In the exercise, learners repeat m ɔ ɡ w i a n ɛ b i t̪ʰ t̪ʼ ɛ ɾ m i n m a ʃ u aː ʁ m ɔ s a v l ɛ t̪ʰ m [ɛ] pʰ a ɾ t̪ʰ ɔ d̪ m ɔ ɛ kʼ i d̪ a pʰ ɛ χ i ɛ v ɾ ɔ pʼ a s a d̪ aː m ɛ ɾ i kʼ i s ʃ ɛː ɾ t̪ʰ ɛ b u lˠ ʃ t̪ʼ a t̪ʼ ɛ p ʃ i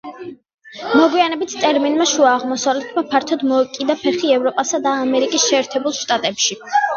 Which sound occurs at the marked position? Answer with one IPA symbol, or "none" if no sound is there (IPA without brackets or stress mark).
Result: a